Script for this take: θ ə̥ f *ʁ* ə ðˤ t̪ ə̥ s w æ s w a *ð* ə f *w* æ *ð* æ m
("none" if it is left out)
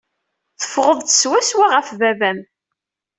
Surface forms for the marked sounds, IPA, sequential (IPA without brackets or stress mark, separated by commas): ʁ, ʁ, v, v